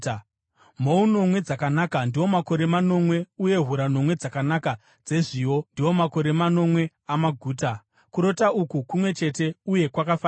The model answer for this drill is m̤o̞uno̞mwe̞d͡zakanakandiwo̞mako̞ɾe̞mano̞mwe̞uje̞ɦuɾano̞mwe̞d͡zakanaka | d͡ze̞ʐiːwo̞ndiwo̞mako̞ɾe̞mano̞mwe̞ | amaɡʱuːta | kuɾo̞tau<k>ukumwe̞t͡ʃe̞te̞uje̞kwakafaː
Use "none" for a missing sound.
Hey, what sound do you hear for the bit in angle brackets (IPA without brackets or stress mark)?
k